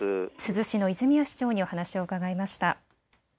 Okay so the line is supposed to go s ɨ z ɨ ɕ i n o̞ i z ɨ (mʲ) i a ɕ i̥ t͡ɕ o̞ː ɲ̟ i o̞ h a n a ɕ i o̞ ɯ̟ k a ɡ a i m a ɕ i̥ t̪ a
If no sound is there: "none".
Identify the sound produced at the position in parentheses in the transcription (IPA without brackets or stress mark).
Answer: mʲ